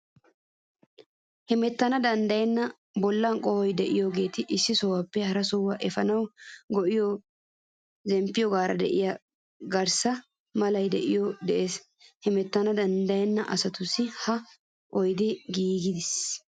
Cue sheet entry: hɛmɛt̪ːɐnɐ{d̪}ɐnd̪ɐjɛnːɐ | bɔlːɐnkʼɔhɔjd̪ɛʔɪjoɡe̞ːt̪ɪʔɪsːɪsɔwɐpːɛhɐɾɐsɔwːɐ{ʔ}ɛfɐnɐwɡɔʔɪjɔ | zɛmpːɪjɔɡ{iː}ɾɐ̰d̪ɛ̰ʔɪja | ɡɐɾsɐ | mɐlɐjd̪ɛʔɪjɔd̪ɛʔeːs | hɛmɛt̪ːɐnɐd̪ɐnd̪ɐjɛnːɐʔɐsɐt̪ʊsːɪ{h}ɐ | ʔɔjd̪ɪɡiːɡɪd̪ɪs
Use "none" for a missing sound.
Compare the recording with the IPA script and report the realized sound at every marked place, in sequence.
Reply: d̪, ʔ, aː, h

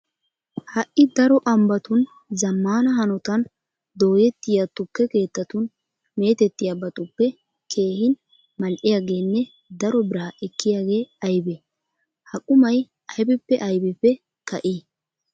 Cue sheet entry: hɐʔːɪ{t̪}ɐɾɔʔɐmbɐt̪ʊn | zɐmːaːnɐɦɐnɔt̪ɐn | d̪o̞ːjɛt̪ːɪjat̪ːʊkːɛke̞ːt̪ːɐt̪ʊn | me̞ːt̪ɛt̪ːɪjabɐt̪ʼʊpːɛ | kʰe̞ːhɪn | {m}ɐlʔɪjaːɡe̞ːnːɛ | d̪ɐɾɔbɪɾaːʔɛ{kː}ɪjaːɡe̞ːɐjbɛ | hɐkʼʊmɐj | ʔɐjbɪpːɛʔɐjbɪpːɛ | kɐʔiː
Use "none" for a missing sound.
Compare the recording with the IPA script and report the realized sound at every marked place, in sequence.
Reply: d̪, m, kː

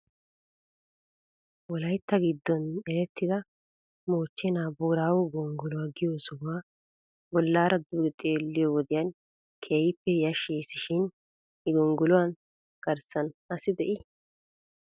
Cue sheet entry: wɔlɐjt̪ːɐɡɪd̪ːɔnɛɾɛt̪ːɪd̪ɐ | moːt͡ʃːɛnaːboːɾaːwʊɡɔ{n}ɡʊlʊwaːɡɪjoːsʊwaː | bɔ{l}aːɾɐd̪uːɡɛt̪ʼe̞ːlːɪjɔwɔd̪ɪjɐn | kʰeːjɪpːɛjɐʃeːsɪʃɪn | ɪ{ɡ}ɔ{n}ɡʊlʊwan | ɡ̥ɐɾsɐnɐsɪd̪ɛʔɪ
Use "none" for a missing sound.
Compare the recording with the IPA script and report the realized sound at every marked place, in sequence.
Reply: ŋ, lː, ɡ, ŋ

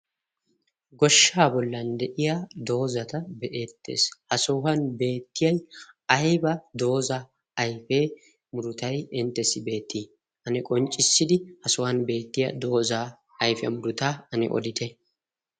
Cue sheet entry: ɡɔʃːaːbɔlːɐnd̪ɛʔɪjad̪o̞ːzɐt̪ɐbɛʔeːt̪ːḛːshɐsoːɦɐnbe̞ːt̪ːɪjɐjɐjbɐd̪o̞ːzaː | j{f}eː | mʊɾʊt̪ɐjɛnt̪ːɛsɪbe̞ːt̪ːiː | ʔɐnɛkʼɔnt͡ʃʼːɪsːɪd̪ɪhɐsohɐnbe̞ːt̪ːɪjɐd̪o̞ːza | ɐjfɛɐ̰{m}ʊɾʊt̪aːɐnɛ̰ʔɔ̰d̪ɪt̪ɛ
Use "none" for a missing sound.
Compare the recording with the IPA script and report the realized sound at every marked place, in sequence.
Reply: f, m

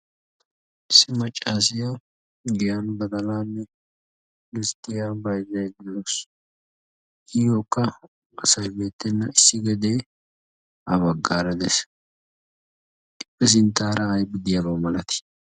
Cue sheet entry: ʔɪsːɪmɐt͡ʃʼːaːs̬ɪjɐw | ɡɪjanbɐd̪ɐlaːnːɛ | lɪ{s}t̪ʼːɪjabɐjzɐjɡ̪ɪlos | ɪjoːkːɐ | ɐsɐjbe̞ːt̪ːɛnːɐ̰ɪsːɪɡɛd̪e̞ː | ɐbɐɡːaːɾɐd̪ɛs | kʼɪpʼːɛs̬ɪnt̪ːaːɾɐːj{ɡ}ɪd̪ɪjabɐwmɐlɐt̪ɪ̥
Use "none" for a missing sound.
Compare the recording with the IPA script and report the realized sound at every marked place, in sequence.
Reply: s, b

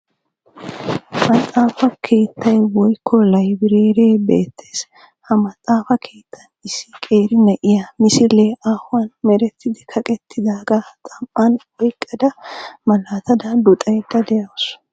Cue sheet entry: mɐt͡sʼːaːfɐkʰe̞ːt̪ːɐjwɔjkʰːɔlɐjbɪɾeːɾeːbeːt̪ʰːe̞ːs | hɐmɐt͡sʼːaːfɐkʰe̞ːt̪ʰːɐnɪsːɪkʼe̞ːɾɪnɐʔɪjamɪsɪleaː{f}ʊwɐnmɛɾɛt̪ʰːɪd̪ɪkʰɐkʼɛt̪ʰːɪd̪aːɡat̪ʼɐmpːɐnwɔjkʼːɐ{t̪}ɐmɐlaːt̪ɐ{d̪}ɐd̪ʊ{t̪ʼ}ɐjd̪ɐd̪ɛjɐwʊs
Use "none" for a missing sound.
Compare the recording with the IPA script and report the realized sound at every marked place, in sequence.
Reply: h, d̪, d̪, t̪ʼ

